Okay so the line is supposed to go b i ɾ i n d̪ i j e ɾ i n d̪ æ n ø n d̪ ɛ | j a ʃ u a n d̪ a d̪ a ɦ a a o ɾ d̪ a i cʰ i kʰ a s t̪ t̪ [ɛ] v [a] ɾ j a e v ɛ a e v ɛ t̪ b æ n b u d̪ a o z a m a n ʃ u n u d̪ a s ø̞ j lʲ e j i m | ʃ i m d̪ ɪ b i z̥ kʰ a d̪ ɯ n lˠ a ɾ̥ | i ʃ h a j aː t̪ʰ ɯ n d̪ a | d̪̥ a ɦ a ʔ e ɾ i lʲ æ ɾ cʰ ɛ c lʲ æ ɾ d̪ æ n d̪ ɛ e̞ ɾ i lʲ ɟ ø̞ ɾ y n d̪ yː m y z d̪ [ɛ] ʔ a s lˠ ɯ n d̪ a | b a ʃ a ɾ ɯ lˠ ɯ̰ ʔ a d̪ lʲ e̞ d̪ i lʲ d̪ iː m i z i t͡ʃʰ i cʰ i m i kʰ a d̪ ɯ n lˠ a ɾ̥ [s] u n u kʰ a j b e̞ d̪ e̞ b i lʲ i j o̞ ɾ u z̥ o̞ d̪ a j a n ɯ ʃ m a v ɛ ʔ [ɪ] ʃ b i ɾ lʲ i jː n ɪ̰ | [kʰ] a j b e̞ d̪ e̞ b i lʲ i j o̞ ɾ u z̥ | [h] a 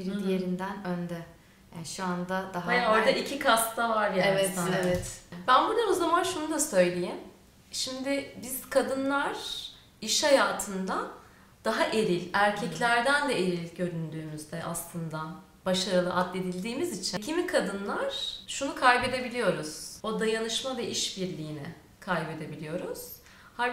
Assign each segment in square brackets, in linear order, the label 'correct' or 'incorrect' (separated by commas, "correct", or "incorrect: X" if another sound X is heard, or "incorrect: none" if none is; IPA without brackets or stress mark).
incorrect: a, correct, correct, incorrect: ʃ, incorrect: i, correct, correct